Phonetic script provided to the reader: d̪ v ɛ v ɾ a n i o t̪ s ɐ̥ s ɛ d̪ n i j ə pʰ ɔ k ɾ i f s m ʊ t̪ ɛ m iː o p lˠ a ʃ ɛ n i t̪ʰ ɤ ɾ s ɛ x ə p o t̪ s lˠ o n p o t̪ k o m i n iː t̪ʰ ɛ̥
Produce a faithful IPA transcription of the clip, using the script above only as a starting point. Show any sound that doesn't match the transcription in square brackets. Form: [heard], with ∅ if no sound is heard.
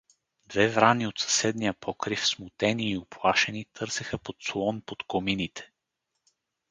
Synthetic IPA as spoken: d̪ v ɛ v ɾ a n i o t̪ s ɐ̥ s ɛ d̪ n i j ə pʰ ɔ k ɾ i f s m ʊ t̪ ɛ [n] iː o p lˠ a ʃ ɛ n i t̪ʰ ɤ ɾ s ɛ x ə p o t̪ s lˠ [ɔ] n p o t̪ k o m i n [i] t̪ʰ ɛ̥